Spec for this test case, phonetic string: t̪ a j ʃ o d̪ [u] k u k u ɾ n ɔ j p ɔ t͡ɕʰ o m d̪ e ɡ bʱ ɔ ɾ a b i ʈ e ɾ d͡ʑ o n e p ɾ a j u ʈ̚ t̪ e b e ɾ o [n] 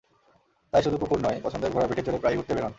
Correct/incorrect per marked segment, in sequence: correct, correct

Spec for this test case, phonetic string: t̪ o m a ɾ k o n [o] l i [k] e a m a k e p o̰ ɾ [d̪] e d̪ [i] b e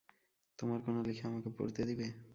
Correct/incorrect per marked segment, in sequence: correct, incorrect, incorrect, correct

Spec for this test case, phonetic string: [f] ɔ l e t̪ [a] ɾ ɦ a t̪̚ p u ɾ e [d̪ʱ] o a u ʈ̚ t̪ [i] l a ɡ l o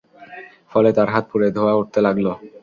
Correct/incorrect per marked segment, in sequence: correct, correct, correct, incorrect

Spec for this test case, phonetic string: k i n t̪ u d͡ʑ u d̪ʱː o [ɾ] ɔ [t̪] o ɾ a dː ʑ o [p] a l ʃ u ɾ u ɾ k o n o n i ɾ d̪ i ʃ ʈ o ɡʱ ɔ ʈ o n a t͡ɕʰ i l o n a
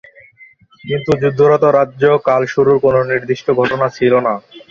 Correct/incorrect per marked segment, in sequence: correct, correct, incorrect

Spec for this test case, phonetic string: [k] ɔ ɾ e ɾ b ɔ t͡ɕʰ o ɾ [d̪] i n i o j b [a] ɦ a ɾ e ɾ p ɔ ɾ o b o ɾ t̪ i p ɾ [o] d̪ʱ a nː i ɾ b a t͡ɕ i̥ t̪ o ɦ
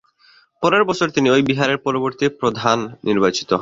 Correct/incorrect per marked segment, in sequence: incorrect, incorrect, incorrect, correct

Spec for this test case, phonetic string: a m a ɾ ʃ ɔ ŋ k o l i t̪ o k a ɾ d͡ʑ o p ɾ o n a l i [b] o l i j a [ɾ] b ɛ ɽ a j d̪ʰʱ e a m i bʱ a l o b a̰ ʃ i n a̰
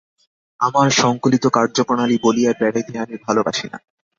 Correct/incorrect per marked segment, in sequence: correct, correct

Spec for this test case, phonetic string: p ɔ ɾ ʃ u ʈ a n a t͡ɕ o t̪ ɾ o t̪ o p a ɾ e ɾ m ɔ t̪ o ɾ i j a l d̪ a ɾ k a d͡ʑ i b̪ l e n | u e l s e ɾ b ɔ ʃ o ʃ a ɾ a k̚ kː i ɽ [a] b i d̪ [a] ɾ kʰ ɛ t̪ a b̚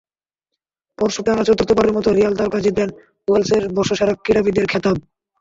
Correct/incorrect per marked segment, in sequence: correct, incorrect

